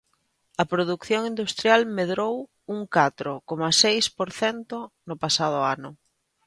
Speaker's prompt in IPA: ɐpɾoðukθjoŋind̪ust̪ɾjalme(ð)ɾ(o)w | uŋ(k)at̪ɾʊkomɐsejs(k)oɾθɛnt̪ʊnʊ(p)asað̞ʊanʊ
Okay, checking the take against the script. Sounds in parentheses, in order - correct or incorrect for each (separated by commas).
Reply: correct, correct, correct, incorrect, correct